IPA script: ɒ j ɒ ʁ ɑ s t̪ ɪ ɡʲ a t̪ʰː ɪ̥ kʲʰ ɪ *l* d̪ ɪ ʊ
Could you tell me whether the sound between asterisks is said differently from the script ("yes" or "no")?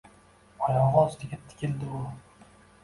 no